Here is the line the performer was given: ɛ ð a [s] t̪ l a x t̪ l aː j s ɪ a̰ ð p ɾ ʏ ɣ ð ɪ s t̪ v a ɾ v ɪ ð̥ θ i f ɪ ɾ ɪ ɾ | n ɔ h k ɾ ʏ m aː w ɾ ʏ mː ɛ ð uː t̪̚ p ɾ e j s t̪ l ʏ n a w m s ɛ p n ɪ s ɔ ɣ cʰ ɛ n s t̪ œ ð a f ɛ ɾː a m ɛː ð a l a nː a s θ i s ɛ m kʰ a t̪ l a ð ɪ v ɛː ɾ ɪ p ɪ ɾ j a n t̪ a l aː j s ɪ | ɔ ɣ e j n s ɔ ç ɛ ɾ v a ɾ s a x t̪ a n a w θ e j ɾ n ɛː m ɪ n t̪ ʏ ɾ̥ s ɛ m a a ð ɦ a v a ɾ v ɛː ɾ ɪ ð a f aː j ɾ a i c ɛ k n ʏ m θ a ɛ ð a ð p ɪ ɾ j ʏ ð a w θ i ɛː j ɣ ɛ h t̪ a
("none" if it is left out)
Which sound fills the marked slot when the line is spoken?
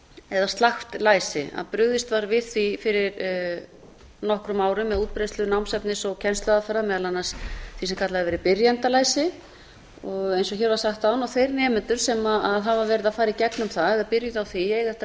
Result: s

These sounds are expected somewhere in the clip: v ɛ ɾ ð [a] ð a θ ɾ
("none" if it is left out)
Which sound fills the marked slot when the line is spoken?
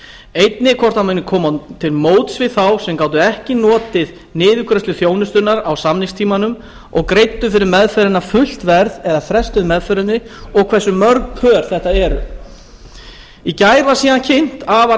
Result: ɛ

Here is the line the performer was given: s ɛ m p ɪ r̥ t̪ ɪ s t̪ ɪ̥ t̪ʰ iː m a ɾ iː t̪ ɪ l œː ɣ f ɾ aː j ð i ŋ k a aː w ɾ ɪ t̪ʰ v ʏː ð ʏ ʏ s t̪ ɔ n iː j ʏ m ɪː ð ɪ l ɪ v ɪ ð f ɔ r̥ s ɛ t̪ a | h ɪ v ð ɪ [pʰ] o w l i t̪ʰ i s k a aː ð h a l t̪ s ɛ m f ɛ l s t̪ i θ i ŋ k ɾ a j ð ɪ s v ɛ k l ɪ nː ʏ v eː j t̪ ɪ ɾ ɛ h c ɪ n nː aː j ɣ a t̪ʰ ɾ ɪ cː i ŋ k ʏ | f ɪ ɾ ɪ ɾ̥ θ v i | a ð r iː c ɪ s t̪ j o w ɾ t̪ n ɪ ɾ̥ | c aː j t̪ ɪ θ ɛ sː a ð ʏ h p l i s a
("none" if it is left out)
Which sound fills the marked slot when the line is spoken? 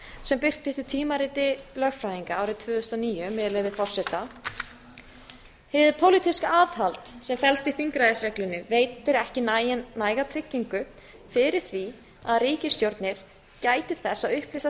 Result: pʰ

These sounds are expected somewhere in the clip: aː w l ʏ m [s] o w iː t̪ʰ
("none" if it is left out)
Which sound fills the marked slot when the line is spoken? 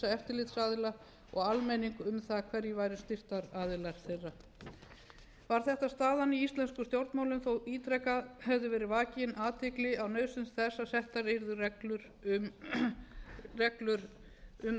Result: θ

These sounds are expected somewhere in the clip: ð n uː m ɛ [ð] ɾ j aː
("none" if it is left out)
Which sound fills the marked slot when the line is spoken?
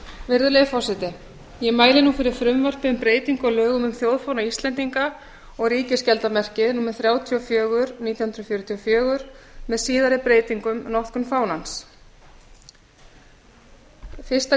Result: θ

